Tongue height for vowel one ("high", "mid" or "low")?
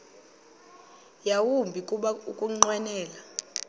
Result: low